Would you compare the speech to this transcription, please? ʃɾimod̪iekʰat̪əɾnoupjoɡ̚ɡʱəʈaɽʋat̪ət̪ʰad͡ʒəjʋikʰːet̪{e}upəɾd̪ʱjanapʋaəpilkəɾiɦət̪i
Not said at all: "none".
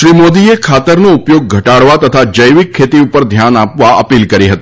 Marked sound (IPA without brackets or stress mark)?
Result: i